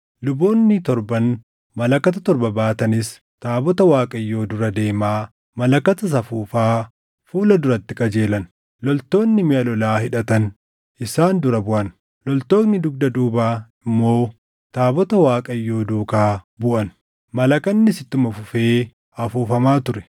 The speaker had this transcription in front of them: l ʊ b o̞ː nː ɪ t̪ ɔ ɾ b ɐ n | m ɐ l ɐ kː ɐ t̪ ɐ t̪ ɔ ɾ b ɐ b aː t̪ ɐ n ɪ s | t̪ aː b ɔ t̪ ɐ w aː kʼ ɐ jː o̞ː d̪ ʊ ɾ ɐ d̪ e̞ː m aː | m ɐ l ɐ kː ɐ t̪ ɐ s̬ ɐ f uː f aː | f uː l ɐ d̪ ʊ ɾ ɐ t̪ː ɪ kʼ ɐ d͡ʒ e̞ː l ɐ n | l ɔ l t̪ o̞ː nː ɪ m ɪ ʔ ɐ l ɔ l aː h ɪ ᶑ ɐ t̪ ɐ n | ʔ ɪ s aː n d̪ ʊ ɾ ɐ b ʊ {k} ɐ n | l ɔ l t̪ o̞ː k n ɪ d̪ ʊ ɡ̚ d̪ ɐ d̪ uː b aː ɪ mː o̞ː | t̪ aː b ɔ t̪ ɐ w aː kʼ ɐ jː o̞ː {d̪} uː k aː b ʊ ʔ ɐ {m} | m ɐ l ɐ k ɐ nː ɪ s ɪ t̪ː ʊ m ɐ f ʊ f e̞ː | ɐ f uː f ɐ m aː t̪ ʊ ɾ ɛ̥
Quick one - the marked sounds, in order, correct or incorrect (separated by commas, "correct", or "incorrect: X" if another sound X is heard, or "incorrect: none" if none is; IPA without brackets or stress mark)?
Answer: incorrect: ʔ, correct, incorrect: n